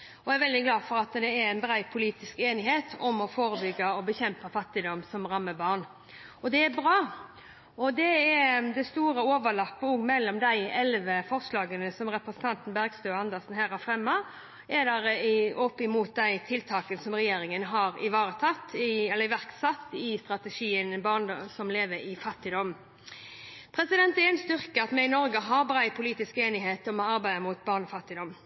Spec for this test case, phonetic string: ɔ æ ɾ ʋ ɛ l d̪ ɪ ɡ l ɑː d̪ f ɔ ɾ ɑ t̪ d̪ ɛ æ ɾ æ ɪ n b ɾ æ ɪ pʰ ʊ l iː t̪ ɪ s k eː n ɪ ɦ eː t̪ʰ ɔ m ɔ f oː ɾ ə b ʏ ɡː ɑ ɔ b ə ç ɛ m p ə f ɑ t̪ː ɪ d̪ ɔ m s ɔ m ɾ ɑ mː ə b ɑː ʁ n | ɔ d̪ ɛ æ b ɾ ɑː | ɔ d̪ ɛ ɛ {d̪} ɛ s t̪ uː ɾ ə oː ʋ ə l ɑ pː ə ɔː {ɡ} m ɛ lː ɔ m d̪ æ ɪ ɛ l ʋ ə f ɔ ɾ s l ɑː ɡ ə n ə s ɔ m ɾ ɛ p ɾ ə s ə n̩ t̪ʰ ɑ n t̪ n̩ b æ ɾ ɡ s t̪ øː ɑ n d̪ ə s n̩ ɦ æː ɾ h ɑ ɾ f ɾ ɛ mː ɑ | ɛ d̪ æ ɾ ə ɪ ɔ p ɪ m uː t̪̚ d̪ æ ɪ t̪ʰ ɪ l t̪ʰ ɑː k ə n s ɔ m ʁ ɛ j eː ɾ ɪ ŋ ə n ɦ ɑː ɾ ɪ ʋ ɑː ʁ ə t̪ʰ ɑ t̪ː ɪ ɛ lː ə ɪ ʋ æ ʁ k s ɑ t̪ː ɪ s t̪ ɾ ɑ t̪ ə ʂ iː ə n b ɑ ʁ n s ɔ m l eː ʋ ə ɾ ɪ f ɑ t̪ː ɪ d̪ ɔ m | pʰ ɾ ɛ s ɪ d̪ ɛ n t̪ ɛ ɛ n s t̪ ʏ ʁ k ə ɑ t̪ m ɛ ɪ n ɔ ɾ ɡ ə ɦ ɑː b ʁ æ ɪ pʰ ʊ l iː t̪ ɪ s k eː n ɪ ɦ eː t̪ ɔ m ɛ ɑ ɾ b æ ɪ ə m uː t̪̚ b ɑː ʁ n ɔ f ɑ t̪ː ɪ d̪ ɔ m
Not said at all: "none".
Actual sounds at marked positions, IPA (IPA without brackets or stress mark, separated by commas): d̪, ɡ